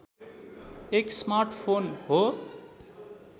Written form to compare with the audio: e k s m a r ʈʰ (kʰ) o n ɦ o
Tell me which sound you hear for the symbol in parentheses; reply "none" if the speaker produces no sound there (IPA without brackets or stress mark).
pʰ